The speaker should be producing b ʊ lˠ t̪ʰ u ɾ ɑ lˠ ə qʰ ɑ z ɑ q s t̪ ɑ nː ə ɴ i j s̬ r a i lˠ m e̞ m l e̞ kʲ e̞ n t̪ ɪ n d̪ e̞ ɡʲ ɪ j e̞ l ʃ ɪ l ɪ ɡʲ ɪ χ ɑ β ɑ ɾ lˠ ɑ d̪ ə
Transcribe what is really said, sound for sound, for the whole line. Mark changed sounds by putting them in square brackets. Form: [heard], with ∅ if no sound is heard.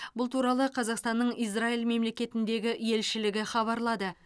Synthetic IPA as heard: b ʊ lˠ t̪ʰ u ɾ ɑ lˠ ə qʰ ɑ z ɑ q s t̪ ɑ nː ə ɴ i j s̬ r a i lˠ m e̞ m l e̞ kʲ e̞ [∅] t̪ ɪ n d̪ e̞ ɡʲ ɪ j e̞ l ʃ ɪ l ɪ ɡʲ ɪ χ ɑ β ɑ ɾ lˠ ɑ d̪ ə